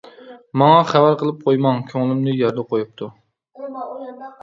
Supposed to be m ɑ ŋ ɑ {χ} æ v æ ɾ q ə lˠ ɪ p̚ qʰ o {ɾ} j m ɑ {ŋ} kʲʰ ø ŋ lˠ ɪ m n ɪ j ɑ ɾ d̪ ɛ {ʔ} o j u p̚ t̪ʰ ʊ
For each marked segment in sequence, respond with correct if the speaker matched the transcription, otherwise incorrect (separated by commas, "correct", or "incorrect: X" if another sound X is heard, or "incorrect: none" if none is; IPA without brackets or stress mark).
correct, incorrect: none, correct, incorrect: q